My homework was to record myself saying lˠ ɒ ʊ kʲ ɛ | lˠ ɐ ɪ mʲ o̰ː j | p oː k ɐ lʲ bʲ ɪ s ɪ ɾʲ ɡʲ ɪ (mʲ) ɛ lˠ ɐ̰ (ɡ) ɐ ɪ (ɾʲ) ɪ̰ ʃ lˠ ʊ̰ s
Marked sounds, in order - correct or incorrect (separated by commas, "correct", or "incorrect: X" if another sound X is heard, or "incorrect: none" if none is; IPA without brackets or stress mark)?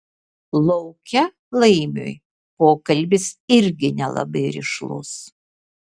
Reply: incorrect: nʲ, incorrect: b, correct